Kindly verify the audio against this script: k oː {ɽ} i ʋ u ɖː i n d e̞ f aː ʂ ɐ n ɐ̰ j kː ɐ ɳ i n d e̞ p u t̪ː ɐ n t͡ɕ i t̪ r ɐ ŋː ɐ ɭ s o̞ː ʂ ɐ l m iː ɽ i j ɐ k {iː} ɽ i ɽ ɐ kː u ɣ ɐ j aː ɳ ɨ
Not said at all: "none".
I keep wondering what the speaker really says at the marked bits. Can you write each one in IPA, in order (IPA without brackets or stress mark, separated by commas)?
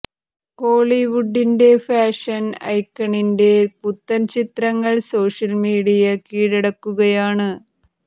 ɭ, iː